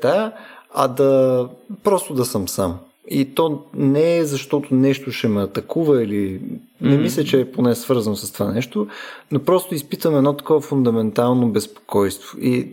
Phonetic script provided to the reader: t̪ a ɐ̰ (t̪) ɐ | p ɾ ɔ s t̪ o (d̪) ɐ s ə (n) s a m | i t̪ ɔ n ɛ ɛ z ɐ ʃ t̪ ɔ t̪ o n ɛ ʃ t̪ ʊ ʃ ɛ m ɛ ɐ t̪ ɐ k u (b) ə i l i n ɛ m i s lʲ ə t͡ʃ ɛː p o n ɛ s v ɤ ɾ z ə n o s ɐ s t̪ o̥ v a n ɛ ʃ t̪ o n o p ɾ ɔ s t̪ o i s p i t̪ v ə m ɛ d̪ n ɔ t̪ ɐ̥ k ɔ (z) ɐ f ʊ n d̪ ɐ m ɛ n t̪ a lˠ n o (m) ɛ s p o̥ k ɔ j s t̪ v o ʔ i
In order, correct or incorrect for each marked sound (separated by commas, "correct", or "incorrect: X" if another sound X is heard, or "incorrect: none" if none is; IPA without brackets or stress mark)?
incorrect: d̪, correct, incorrect: m, incorrect: v, incorrect: v, incorrect: b